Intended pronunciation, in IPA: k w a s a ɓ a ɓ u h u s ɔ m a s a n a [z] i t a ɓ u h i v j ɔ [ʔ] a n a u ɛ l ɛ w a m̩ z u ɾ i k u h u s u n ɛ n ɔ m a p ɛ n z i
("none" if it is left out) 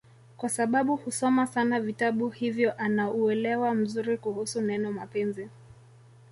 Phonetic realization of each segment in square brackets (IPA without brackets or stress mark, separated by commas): v, ʔ